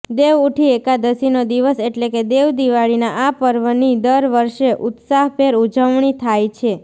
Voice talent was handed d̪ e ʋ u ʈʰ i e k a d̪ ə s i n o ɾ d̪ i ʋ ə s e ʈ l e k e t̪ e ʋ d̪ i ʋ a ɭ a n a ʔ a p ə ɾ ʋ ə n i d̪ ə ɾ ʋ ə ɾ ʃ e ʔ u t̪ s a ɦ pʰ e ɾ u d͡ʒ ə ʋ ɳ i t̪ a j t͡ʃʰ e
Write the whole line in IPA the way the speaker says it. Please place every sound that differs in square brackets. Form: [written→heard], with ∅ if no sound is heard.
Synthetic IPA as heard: d̪ e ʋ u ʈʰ i e k a d̪ ə s i n o [ɾ→∅] d̪ i ʋ ə s e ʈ l e k e [t̪→d̪] e ʋ d̪ i ʋ a ɭ [a→i] n a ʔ a p ə ɾ ʋ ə n i d̪ ə ɾ ʋ ə ɾ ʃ e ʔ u t̪ s a ɦ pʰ e ɾ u d͡ʒ ə ʋ ɳ i [t̪→t̪ʰ] a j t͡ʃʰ e